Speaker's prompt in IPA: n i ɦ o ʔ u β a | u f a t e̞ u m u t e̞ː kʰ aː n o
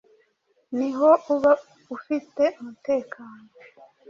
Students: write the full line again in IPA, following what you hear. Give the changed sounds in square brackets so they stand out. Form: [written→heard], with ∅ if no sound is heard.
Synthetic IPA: n i ɦ o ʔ u β a | u f [a→i] t e̞ u m u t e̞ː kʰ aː n o